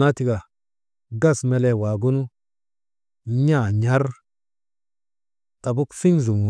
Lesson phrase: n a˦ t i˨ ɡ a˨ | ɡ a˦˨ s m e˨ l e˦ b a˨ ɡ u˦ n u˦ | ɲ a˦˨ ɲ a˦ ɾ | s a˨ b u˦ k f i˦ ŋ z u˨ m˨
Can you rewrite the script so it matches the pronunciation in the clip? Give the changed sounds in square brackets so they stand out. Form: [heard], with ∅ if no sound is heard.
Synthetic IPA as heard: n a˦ t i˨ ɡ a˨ | ɡ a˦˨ s m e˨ l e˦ [w] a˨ ɡ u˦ n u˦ | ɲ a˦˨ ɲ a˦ ɾ | [t] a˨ b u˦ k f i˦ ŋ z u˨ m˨